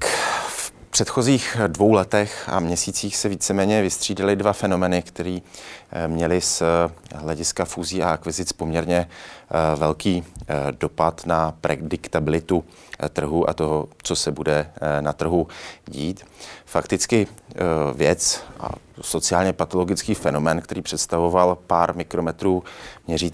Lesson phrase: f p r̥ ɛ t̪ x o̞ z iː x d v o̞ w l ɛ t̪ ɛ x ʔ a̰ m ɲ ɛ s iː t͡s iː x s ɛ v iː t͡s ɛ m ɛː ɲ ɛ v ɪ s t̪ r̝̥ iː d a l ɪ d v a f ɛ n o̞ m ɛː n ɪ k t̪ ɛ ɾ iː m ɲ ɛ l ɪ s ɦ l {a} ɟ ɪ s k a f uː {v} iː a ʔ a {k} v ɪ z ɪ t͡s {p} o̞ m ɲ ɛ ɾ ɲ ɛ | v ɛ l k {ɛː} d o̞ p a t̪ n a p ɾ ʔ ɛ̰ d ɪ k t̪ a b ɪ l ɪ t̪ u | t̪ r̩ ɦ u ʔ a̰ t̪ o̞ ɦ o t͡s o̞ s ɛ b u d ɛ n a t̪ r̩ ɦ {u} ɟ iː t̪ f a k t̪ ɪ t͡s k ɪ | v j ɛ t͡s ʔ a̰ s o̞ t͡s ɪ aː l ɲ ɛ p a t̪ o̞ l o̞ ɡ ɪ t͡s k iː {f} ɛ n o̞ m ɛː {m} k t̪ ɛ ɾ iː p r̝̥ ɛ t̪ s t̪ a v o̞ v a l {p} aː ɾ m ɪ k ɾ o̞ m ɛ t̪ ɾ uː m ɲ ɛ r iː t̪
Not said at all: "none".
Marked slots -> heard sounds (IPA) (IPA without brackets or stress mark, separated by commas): ɛ, z, k, p, iː, u, f, n, p